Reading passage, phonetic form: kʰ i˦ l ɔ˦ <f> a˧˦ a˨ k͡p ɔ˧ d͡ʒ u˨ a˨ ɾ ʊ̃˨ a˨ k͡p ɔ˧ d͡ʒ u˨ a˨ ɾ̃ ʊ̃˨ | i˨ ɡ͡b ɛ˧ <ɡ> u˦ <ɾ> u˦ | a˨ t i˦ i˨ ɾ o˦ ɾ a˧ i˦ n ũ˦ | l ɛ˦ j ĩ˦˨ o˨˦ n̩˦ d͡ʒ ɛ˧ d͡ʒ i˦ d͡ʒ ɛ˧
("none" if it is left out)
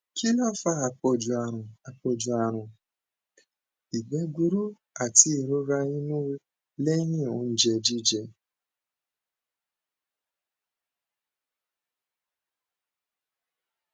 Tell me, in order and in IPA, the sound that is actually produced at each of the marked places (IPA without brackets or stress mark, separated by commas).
f, ɡ, ɾ